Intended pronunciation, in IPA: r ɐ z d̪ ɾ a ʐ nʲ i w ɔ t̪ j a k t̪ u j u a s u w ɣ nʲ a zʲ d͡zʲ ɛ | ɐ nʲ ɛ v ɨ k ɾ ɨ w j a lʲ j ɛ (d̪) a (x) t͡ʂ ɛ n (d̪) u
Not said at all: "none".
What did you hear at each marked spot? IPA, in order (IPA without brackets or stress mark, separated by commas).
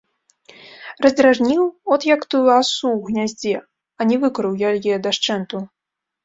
d̪, ʂ, t̪